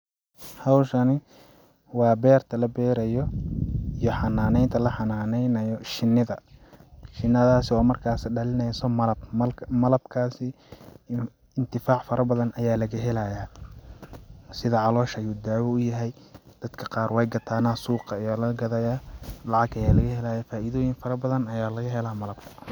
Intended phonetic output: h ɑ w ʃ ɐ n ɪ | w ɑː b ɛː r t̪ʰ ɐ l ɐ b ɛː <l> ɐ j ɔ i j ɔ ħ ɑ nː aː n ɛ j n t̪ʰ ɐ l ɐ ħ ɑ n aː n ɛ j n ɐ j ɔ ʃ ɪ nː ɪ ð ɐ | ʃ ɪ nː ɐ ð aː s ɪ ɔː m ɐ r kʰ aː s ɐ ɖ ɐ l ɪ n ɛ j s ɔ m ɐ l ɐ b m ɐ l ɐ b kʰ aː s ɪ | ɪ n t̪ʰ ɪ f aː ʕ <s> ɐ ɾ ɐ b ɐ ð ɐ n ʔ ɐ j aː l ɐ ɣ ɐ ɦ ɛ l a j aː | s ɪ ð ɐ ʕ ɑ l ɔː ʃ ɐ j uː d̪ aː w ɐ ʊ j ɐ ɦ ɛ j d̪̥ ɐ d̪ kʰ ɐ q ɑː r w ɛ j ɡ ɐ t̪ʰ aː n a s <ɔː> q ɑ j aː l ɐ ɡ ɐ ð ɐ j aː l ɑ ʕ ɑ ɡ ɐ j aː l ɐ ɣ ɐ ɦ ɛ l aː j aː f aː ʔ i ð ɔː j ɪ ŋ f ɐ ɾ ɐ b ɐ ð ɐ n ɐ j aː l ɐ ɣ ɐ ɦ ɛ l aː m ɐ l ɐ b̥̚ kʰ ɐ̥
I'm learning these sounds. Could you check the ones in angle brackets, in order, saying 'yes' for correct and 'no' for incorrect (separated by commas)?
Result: no, no, no